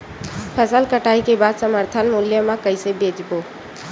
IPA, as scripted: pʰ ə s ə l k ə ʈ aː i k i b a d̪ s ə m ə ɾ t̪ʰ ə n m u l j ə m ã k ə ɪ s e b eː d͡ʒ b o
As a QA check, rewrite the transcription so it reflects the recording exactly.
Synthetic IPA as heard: pʰ ə s ə l k ə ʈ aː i k e b a d̪ s ə m ə ɾ t̪ʰ ə n m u l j ə m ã k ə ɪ s e b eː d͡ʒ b o